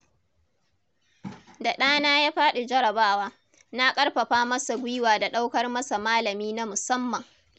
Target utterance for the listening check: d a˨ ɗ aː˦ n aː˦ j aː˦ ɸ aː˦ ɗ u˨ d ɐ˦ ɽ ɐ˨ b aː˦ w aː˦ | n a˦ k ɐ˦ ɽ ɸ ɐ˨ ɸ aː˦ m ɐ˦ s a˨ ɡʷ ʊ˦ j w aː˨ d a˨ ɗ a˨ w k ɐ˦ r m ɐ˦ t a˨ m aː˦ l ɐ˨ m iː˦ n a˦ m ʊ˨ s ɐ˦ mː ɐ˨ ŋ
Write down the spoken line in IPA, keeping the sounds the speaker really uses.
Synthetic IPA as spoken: d a˨ ɗ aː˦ n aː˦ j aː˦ ɸ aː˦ ɗ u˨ d͡ʒ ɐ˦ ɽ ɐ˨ b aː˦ w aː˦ | n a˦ kʼ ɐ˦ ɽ ɸ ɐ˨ ɸ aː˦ m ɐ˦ s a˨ ɡʷ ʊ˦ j w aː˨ d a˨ ɗ a˦ w k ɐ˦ r m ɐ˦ s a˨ m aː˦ l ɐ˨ m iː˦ n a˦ m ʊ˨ s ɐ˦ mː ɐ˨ ŋ